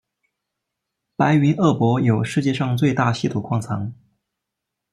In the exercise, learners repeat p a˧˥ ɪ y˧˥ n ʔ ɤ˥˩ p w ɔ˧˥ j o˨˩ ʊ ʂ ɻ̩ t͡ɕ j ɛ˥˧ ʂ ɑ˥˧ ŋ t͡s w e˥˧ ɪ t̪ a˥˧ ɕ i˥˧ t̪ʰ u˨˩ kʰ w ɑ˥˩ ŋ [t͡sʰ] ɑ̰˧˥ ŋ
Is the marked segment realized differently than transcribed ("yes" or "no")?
no